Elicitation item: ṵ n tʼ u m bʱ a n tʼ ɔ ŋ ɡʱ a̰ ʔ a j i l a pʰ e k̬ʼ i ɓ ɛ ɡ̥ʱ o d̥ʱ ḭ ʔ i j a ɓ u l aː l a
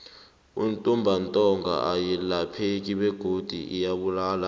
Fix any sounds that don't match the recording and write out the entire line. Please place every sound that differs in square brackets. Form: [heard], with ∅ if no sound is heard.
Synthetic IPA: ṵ n tʼ u m bʱ a n tʼ ɔ ŋ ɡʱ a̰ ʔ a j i l a pʰ e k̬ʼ i ɓ ɛ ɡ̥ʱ o d̥ʱ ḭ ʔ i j a ɓ u l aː l a